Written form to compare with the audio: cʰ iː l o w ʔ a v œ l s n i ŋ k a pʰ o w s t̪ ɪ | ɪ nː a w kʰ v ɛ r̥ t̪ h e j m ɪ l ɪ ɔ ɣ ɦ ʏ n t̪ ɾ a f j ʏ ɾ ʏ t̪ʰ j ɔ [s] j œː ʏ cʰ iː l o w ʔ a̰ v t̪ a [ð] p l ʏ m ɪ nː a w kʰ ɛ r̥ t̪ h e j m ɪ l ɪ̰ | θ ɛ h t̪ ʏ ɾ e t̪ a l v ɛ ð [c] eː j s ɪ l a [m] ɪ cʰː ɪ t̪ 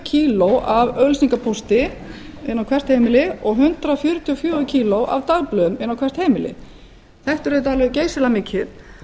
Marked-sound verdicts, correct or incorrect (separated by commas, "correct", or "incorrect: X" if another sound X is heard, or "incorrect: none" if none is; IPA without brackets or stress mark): incorrect: f, incorrect: ɣ, correct, correct